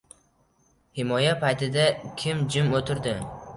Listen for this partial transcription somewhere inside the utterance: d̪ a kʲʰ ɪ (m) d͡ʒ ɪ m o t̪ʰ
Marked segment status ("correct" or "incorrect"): correct